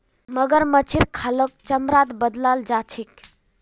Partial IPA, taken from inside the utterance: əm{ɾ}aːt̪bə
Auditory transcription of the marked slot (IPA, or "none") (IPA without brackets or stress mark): ɾ